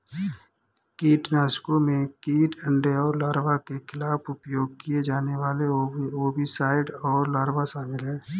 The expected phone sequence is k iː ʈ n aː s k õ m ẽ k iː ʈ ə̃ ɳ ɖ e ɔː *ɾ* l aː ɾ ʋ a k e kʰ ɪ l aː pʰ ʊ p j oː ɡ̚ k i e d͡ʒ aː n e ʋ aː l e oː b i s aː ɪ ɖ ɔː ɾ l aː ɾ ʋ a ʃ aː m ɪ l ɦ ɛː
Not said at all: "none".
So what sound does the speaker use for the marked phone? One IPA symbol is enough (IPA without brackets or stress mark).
ɾ